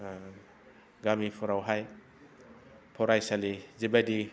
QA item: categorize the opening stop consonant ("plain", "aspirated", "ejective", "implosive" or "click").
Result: plain